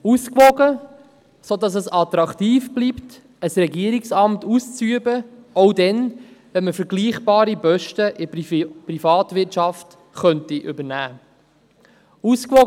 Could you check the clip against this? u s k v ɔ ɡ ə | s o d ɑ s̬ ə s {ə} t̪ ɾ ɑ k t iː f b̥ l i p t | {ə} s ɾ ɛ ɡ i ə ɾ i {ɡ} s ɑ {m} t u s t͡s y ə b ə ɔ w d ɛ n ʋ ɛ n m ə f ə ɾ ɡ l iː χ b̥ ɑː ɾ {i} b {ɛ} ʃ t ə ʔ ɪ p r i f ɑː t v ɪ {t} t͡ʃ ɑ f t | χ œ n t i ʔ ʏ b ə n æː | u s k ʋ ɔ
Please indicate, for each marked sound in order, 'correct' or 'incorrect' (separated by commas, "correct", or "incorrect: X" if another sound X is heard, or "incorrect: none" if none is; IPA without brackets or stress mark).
incorrect: ɑ, correct, incorrect: k, correct, correct, incorrect: œ, correct